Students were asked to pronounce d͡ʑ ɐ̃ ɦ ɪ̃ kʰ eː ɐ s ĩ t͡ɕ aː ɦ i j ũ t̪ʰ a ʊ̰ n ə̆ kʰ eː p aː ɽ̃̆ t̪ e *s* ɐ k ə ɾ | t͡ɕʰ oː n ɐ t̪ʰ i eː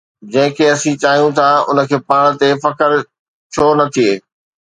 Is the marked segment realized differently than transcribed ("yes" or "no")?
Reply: yes